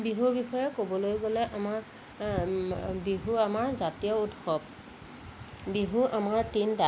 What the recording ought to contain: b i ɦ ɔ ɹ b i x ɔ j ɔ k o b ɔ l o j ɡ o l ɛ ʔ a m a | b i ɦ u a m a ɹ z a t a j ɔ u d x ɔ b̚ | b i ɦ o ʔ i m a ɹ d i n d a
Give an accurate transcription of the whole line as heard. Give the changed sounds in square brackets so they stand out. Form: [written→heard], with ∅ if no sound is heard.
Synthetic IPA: b i ɦ [ɔ→u] ɹ b i x ɔ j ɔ k o b ɔ l o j ɡ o l ɛ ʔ a m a | b i ɦ u a m a ɹ z a t [a→i] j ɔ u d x ɔ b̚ | b i ɦ [o→u] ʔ [i→a] m a ɹ [d→t] i n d a